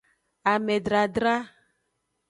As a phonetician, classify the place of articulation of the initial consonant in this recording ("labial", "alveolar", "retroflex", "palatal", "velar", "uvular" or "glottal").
labial